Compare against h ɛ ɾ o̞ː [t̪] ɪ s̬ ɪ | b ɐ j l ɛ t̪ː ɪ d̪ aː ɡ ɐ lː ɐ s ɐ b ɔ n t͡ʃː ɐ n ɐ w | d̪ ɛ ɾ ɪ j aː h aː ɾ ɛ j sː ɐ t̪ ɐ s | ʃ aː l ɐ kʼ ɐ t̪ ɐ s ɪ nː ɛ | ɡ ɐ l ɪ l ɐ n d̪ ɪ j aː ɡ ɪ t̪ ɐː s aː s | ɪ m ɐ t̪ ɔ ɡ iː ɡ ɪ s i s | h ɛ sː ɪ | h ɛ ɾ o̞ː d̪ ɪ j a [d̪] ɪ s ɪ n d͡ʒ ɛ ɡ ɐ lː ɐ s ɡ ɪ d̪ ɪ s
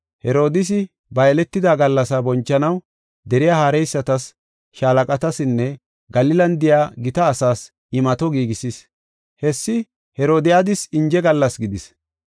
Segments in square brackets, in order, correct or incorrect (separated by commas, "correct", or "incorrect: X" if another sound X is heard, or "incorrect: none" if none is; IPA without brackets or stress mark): incorrect: d̪, correct